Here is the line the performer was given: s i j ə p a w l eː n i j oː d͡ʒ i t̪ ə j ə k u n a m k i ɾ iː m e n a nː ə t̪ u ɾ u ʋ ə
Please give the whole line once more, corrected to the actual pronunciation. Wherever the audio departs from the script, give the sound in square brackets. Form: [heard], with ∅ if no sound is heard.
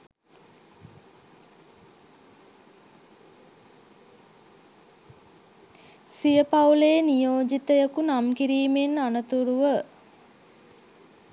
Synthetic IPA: s i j ə p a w l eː n i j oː d͡ʒ i t̪ ə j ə k u n a m k i ɾ iː m e n a [n] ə t̪ u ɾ u ʋ ə